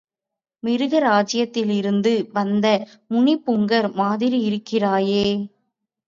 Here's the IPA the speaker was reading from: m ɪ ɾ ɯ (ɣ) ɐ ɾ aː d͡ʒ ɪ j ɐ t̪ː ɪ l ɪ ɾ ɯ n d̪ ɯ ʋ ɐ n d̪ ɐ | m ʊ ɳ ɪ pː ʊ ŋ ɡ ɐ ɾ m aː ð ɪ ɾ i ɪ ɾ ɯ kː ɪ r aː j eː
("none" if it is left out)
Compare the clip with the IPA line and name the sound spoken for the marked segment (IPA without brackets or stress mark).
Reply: ɣ